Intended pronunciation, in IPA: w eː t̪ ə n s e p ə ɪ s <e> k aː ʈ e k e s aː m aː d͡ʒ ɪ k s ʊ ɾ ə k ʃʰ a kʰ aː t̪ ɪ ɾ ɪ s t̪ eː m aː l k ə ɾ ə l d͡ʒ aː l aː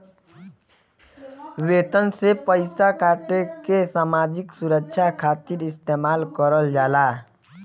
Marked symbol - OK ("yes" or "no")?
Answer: no